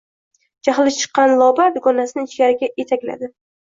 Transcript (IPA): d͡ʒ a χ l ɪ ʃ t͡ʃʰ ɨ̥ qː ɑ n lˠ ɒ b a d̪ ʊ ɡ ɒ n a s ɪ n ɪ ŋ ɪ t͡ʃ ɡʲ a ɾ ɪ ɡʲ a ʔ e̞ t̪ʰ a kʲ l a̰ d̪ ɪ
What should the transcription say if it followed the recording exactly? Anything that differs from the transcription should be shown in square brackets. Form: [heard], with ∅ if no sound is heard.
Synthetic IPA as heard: d͡ʒ a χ l ɪ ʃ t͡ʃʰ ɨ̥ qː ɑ n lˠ ɒ b a d̪ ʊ ɡ ɒ n a s ɪ n ɪ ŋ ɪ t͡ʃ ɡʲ a ɾ ɪ ɡʲ a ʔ e̞ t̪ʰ a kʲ l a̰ d̪ ɪ